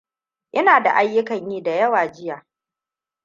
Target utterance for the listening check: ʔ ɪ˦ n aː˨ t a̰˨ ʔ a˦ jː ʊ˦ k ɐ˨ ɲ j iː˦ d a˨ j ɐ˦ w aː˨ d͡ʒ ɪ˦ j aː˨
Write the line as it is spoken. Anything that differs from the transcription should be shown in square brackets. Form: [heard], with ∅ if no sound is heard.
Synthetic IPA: ʔ ɪ˦ n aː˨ [d] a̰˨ ʔ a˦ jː ʊ˦ k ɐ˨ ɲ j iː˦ d a˨ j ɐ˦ w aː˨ d͡ʒ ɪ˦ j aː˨